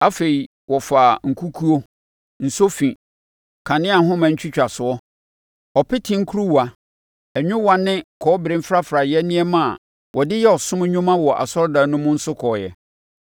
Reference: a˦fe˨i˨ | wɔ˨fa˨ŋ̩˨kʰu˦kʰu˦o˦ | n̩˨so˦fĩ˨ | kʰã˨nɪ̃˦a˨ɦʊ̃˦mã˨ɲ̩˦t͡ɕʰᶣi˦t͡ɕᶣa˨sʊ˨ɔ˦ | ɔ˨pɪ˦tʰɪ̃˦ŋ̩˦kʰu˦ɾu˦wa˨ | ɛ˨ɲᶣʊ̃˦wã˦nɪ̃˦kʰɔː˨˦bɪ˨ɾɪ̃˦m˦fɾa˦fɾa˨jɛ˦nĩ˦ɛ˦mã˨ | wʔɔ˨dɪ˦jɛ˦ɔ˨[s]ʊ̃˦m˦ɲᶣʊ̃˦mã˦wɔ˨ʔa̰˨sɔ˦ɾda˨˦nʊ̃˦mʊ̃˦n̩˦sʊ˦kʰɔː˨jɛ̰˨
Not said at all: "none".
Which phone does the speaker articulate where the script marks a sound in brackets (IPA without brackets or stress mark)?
s